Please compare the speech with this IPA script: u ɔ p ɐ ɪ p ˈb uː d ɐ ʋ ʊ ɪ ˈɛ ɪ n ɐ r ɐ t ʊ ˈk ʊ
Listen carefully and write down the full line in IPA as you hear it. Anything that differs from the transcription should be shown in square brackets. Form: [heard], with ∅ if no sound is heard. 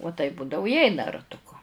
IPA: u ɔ [t] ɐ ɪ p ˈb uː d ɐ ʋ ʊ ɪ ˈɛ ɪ n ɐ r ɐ t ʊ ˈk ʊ